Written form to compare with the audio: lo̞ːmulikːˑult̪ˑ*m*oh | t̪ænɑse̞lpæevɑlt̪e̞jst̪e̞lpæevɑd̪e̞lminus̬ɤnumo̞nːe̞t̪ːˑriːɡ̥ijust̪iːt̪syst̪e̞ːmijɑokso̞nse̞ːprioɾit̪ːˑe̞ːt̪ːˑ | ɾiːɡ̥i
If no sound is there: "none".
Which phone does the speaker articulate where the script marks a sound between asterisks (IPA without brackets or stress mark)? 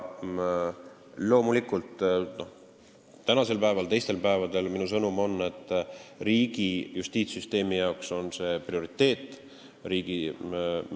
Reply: n